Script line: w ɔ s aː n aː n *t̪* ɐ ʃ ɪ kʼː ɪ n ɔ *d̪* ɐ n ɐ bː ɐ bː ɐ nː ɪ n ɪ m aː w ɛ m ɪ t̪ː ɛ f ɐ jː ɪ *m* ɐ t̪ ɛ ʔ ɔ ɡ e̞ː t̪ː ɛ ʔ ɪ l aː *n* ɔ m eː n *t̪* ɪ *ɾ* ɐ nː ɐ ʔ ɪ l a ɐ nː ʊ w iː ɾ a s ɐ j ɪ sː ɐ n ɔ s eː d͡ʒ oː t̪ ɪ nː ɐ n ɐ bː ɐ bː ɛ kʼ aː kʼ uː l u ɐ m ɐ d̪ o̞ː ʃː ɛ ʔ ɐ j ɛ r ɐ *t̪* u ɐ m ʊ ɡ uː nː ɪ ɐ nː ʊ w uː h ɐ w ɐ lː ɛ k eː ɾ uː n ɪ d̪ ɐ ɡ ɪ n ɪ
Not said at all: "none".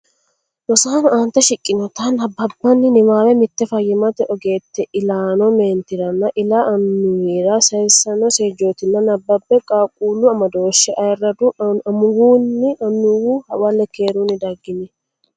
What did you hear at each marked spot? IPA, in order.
t̪, t̪, m, n, t̪, ɾ, d̪

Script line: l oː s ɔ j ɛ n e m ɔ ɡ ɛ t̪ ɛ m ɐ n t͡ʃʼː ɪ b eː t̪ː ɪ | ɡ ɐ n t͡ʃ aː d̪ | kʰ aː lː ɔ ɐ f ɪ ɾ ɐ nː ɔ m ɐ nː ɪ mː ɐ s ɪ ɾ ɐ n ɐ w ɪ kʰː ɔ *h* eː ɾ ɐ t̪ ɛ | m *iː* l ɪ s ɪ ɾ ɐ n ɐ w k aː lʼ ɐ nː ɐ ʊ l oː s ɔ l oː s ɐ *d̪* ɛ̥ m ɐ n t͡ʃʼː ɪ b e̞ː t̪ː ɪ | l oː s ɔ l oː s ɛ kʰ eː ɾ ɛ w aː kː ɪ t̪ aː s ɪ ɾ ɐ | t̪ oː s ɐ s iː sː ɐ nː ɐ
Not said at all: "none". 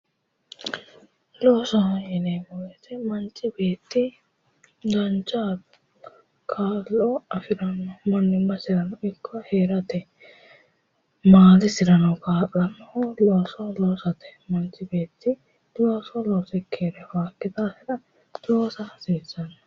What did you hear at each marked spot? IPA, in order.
h, aː, t̪

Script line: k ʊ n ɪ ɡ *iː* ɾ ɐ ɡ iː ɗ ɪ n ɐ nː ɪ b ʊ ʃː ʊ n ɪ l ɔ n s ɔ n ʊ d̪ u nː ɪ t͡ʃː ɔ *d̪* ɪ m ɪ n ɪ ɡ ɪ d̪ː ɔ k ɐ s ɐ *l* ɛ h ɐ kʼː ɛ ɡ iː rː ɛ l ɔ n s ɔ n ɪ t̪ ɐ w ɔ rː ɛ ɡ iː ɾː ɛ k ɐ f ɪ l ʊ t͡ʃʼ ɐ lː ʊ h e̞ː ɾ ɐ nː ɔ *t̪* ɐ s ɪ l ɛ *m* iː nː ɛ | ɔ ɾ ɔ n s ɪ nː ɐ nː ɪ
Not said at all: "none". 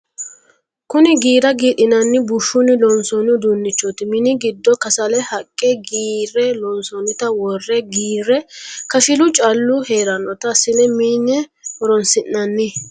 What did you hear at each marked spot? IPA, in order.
iː, t̪, l, t̪, m

